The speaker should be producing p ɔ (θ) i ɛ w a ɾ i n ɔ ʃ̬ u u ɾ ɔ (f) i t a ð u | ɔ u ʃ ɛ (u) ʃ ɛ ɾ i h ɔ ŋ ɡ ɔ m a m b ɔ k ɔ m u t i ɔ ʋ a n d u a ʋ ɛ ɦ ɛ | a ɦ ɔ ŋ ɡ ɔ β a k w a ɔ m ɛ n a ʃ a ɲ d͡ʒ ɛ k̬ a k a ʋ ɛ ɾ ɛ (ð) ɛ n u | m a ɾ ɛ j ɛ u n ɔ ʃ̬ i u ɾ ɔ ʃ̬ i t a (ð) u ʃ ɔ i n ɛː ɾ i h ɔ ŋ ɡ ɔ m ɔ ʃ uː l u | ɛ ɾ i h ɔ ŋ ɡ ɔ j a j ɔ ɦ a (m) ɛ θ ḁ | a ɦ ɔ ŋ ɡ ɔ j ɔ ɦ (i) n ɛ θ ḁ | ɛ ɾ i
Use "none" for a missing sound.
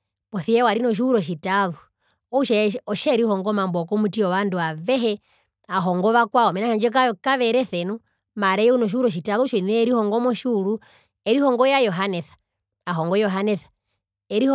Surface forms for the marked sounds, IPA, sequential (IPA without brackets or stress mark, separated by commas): θ, ʃ, ɔ, θ, ð, n, a